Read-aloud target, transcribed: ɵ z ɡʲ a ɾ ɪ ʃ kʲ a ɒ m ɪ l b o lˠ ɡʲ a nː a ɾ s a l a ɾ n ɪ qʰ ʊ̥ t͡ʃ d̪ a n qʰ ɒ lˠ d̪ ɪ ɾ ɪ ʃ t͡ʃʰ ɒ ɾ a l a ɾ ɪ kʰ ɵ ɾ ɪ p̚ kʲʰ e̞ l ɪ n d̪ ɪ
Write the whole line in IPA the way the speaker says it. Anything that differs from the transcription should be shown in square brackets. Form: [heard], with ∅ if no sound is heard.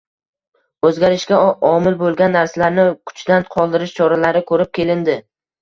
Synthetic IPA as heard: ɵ z ɡʲ a ɾ ɪ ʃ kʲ a ɒ m ɪ l b o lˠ ɡʲ a nː a ɾ s a l a ɾ n ɪ [kʰ] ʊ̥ t͡ʃ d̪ a n qʰ ɒ lˠ d̪ ɪ ɾ ɪ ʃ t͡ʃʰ ɒ ɾ a l a ɾ ɪ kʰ ɵ ɾ ɪ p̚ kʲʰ e̞ l ɪ n d̪ ɪ